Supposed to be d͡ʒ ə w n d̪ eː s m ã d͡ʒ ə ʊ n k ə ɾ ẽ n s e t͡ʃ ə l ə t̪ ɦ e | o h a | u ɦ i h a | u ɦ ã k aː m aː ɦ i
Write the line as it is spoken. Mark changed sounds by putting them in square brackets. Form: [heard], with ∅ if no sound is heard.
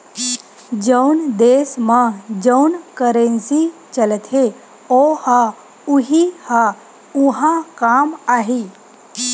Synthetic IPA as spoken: d͡ʒ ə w n d̪ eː s m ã d͡ʒ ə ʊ n k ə ɾ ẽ n s [i] t͡ʃ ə l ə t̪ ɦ e | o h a | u ɦ i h a | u ɦ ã k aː m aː ɦ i